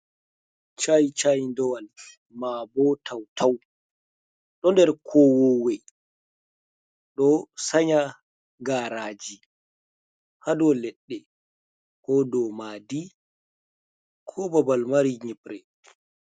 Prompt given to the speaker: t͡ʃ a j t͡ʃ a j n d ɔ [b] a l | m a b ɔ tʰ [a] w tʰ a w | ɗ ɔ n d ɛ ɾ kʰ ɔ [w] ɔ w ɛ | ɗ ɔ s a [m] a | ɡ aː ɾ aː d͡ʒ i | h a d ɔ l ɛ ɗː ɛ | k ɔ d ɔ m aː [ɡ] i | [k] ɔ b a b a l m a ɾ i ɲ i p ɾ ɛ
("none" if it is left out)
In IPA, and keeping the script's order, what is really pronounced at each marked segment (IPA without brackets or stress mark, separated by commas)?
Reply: w, a, w, ɲ, d, kʰ